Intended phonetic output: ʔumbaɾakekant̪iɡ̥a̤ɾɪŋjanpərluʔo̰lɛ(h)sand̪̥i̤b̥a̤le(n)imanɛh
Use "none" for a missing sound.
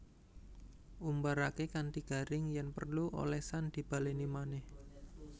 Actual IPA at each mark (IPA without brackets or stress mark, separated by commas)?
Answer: h, n